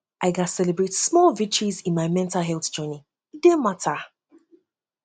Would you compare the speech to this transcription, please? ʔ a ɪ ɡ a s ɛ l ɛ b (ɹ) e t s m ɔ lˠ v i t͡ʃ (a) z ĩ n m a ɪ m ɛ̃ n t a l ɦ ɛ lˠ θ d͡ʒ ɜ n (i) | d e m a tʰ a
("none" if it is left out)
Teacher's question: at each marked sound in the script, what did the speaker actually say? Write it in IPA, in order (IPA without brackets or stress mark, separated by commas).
ɹ, i, i